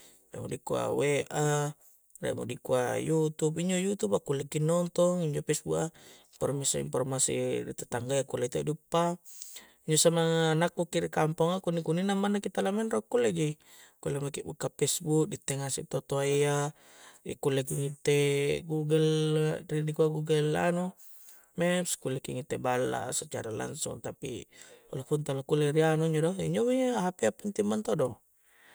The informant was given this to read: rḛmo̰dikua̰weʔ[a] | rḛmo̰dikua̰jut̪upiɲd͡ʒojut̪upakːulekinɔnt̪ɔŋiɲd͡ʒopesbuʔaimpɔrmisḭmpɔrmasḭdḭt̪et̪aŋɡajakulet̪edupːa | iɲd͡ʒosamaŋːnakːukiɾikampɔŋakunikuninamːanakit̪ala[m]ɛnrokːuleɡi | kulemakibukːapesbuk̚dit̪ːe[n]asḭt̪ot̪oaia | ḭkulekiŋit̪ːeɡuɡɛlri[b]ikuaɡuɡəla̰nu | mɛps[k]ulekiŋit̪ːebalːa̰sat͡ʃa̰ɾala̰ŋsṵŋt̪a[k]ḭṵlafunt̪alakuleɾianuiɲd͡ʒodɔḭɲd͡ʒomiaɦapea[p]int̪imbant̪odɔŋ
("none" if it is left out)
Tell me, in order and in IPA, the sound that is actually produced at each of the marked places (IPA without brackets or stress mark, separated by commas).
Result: a, m, ŋ, d, k, p, p